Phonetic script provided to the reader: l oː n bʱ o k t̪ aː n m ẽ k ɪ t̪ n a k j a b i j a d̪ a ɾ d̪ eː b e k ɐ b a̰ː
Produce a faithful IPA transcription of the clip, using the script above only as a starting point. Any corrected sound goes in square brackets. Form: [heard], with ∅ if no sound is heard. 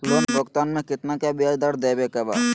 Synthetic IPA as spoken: l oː n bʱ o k t̪ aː n m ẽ k ɪ t̪ n a k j a b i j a d̪ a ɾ d̪ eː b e k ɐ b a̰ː